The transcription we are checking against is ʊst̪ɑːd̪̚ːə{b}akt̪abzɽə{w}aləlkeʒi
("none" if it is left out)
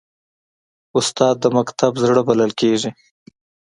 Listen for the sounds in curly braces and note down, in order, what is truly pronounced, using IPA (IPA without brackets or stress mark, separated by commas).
m, b